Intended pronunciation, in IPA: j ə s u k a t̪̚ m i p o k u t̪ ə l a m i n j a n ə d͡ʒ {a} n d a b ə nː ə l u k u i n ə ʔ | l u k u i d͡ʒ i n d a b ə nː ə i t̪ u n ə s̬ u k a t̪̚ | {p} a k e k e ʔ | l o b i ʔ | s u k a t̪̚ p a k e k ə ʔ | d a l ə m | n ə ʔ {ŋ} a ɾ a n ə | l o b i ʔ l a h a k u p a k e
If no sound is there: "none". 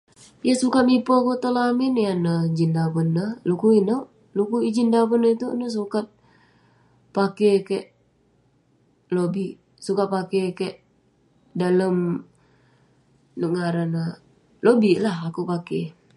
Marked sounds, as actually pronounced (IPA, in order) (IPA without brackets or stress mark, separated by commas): i, p, ŋ